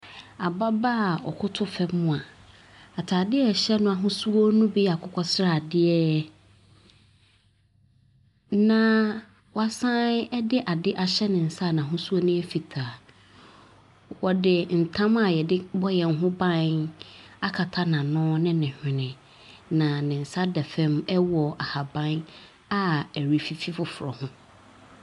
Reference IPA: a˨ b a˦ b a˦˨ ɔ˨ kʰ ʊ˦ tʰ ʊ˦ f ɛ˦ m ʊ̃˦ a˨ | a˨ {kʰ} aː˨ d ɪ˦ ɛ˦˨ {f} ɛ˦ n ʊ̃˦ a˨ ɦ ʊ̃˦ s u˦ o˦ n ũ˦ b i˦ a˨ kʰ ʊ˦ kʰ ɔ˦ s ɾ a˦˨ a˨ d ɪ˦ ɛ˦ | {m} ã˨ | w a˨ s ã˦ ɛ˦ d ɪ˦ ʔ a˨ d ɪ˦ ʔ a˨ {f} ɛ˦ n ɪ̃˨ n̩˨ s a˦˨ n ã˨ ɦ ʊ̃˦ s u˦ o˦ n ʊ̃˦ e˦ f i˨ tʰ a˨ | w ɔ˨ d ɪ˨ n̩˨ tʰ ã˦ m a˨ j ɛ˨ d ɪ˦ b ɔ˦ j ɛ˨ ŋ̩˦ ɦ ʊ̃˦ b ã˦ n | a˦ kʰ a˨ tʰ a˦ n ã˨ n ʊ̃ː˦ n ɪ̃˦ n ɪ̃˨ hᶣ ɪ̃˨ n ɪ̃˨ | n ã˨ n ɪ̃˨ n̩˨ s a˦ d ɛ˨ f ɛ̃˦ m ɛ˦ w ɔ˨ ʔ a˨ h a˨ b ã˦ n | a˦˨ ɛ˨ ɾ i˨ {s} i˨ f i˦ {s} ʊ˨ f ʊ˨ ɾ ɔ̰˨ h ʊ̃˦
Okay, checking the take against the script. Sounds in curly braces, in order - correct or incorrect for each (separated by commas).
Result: incorrect, incorrect, incorrect, incorrect, incorrect, incorrect